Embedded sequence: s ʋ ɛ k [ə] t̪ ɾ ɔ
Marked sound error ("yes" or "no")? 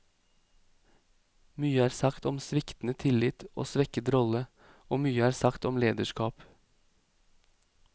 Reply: no